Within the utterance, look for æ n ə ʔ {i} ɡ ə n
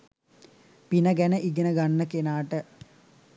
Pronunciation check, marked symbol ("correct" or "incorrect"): correct